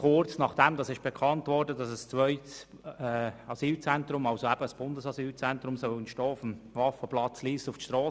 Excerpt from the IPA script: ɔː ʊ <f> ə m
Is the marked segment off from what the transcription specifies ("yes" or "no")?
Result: no